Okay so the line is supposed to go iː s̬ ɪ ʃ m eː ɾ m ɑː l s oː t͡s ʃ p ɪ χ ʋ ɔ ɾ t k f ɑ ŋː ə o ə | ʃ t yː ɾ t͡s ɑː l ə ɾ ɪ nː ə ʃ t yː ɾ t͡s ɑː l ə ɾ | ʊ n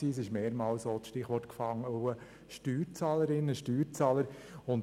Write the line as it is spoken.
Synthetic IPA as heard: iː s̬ ɪ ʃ m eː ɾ m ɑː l s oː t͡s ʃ t ɪ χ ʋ ɔ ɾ t k f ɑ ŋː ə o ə | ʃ t yː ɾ t͡s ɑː l ə ɾ ɪ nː ə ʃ t yː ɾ t͡s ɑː l ə ɾ | ʊ n